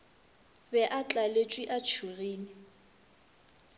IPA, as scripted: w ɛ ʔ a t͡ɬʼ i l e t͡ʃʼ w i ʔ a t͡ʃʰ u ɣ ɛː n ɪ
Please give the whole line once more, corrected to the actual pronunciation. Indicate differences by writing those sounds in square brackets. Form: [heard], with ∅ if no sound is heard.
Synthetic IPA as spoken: [b] ɛ ʔ a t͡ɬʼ [a] l e t͡ʃʼ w i ʔ a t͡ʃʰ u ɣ [iː] n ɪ